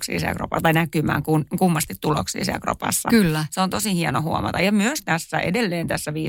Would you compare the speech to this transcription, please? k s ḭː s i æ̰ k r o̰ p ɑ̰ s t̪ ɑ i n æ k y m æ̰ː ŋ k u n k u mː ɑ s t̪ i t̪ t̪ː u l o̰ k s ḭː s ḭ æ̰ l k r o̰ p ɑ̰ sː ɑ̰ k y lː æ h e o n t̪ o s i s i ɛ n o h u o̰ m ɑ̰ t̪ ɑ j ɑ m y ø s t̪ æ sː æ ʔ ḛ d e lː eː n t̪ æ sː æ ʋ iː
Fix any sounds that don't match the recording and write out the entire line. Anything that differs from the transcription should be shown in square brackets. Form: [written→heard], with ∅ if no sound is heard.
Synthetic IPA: k s ḭː s i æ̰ k r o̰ p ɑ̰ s t̪ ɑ i n æ k y m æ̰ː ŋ k u n k u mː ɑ s t̪ i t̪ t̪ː u l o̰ k s ḭː s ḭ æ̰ l k r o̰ p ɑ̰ sː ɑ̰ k y lː æ [h→s] e o n t̪ o s i [s→h] i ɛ n o h u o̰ m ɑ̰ t̪ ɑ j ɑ m y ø s t̪ æ sː æ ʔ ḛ d e lː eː n t̪ æ sː æ ʋ iː